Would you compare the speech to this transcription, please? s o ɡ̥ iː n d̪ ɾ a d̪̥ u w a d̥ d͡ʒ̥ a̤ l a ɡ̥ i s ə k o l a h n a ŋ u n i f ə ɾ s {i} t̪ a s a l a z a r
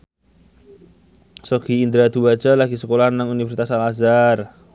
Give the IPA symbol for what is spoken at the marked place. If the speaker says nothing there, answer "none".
i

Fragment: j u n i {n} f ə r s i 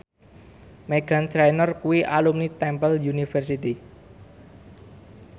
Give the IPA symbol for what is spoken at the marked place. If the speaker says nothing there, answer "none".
none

